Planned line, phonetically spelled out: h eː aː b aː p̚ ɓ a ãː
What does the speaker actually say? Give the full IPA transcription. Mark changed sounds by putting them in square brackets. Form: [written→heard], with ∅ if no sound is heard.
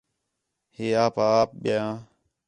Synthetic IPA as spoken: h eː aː [b→p] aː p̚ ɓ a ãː